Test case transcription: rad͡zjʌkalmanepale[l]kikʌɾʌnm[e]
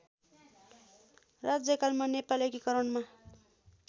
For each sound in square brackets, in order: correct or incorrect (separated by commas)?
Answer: incorrect, incorrect